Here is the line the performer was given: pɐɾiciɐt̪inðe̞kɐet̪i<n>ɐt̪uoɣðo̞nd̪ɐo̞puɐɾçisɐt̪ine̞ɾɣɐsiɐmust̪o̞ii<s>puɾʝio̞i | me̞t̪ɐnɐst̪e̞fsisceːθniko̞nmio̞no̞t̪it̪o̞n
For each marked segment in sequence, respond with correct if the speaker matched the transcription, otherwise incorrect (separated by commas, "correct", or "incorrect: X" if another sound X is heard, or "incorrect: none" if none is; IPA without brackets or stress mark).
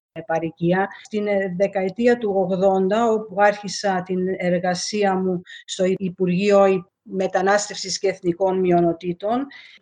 incorrect: none, incorrect: none